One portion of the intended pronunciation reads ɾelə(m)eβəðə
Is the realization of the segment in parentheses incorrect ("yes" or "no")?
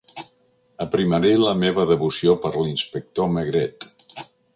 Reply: no